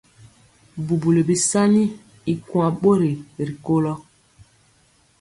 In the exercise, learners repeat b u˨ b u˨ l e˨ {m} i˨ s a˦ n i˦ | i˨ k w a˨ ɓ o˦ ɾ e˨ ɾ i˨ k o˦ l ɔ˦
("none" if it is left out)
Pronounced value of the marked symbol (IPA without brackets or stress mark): b